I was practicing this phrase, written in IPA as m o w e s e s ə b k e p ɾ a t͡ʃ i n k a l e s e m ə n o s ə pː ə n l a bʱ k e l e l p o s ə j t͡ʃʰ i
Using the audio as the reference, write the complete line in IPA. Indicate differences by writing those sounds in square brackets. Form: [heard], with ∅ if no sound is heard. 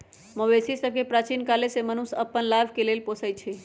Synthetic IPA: m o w e s [i] s ə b k e p ɾ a t͡ʃ i n k a l e s e m ə n [u] s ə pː ə n l a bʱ k e l e l p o s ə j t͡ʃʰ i

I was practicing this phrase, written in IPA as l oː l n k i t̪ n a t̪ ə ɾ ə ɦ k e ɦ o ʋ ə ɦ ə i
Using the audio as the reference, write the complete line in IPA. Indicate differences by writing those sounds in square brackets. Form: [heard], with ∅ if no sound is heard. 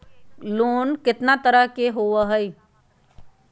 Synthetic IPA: l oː [∅] n k [ɪ] t̪ n a t̪ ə ɾ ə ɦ k e ɦ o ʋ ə ɦ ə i

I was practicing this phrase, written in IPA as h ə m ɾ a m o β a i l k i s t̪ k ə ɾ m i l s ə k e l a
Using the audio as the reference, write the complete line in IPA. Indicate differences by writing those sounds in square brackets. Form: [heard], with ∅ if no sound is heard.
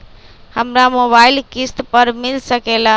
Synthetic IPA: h ə m ɾ a m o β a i l k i s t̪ [p] ə ɾ m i l s ə k e l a

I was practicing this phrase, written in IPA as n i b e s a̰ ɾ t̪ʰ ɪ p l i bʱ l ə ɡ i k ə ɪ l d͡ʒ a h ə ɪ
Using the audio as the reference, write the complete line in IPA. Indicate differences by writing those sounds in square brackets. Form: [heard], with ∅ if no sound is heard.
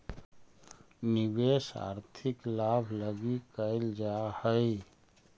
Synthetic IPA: n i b e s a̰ ɾ t̪ʰ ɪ [k] l [a] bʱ l ə ɡ i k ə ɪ l d͡ʒ a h ə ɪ

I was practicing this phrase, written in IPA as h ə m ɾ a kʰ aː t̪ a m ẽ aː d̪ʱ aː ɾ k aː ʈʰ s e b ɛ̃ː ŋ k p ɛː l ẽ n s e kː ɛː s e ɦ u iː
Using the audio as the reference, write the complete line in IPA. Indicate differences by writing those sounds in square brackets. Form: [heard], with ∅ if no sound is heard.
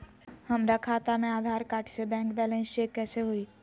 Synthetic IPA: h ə m ɾ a kʰ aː t̪ a m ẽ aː d̪ʱ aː ɾ k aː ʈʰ s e b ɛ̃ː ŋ k [b] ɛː l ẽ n s e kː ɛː s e ɦ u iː

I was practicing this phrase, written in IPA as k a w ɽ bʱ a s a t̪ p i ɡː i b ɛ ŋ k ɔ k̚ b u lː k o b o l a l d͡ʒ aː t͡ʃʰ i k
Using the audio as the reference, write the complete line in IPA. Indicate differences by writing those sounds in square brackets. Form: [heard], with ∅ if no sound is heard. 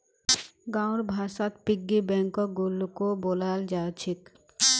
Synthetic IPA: [ɡ] a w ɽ bʱ a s a t̪ p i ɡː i b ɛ ŋ k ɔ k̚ [ɡ] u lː k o b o l a l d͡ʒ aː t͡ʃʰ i k

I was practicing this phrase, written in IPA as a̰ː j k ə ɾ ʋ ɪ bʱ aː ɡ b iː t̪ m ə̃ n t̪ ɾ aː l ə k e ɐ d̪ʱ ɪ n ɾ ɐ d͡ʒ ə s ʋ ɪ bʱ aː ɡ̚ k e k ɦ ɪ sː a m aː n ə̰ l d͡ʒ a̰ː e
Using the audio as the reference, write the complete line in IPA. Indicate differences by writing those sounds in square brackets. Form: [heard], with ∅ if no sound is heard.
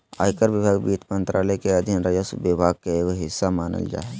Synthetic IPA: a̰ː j k ə ɾ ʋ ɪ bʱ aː ɡ b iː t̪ m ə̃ n t̪ ɾ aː l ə k e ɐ d̪ʱ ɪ n ɾ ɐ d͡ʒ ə s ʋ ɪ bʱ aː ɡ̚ k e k ɦ ɪ sː a m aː n ə̰ l d͡ʒ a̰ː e

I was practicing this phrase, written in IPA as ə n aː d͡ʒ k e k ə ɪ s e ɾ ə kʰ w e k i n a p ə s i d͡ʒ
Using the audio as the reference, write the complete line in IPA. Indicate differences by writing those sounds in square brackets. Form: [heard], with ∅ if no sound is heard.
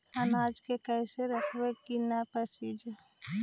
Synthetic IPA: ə n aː d͡ʒ k e k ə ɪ s e ɾ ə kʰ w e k i n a p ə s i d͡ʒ

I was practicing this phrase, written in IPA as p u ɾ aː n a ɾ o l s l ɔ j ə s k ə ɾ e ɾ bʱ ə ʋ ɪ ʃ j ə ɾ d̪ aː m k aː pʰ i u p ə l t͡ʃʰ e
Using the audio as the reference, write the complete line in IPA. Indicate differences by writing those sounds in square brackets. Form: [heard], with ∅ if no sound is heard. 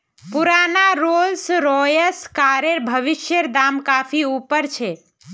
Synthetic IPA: p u ɾ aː n a ɾ o l s [ɾ] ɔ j ə s k [a] ɾ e ɾ bʱ ə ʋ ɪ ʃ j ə ɾ d̪ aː m k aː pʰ i u p ə [ɾ] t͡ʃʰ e

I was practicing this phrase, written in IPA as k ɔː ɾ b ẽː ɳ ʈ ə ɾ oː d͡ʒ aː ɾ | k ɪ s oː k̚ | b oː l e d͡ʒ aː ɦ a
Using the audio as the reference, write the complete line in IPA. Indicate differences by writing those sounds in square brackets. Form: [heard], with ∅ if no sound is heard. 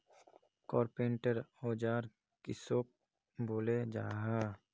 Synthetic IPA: k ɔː ɾ [p] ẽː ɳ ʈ ə ɾ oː d͡ʒ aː ɾ | k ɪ s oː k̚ | b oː l e d͡ʒ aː ɦ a

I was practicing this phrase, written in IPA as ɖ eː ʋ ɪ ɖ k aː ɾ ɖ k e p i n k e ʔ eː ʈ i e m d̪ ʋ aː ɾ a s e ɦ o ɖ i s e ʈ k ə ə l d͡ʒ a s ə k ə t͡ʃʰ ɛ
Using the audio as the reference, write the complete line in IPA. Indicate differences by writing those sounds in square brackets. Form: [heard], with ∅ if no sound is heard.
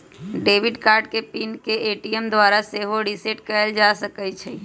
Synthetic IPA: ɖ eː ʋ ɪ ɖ k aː ɾ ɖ k e p i n k e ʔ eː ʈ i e m d̪ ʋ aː ɾ a s e ɦ o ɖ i s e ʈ k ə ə l d͡ʒ a s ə k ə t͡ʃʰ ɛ

